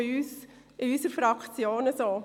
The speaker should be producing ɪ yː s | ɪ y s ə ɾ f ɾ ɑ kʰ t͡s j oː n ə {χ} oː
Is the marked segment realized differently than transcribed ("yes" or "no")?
yes